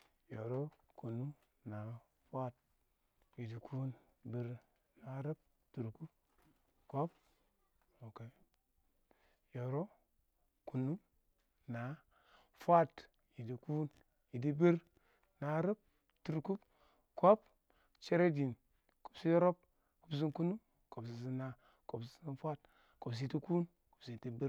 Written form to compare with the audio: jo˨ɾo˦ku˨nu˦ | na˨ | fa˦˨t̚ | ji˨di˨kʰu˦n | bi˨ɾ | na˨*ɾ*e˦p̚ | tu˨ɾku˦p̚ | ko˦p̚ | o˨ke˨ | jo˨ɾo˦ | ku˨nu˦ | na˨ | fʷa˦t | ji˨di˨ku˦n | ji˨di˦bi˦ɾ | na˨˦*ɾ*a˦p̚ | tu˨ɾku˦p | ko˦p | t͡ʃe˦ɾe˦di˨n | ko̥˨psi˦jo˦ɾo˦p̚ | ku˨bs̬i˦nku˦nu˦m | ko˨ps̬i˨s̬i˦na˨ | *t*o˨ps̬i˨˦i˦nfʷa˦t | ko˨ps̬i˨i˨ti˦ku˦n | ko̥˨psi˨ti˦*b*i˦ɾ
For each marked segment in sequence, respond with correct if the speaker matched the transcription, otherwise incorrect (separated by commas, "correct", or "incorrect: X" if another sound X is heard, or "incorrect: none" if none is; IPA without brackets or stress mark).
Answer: correct, correct, incorrect: k, correct